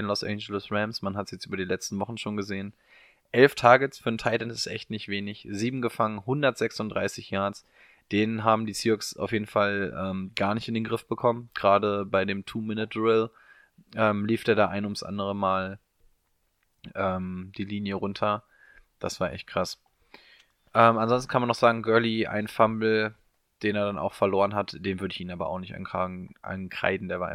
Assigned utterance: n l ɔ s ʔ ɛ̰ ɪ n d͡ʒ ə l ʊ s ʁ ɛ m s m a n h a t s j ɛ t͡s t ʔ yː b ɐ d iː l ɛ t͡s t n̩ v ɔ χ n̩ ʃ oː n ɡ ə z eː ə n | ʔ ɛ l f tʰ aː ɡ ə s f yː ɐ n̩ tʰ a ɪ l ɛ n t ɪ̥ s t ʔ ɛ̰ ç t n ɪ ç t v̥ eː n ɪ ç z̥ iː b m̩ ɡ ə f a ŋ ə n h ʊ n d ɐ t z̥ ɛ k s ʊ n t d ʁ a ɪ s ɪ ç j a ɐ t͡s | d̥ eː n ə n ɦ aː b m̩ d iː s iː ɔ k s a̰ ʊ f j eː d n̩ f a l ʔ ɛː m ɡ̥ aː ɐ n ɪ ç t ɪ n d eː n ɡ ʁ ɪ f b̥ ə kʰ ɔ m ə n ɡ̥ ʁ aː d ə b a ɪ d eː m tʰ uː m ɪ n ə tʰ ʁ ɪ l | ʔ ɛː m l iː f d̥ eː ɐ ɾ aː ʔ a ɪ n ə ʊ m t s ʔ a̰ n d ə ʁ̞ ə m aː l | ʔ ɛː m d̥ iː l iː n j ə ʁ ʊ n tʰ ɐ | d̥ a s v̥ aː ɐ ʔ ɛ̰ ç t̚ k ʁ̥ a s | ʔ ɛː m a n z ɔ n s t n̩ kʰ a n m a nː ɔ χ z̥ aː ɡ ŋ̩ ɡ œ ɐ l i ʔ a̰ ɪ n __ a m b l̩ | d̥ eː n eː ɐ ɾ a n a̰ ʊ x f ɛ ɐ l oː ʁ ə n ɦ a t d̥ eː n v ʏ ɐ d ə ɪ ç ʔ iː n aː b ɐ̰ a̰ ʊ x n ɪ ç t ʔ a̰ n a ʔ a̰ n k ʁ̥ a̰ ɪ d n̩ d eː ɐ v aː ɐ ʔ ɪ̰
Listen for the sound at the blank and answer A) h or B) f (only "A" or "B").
B